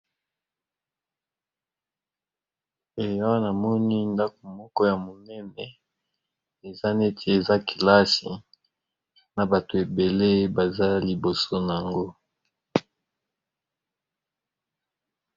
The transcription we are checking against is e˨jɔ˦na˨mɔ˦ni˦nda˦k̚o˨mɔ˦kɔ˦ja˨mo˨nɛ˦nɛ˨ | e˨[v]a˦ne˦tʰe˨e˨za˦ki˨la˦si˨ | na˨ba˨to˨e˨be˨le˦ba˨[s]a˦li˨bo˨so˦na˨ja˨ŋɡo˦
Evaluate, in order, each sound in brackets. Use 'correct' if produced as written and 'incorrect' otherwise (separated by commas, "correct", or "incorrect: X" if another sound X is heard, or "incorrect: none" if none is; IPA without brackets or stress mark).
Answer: incorrect: z, incorrect: z